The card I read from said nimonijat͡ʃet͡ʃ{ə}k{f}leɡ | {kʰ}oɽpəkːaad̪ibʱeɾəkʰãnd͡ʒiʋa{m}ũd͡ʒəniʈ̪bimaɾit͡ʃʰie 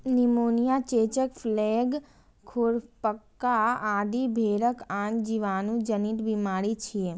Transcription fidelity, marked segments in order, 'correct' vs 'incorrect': correct, correct, correct, incorrect: n

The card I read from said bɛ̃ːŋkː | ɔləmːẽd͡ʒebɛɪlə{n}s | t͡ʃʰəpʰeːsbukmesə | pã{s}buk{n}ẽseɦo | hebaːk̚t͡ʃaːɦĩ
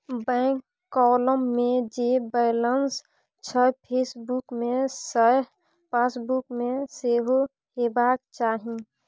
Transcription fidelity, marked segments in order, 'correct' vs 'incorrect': correct, correct, incorrect: m

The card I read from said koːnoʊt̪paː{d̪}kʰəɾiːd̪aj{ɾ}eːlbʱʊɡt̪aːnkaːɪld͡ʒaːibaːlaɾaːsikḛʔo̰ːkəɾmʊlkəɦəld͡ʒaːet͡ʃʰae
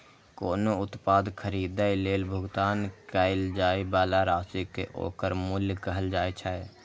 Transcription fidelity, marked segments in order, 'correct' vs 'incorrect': correct, incorrect: l

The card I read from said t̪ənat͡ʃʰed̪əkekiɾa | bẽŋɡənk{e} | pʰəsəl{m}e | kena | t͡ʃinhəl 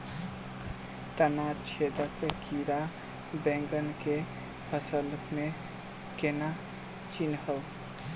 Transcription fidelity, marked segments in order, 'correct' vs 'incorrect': correct, correct

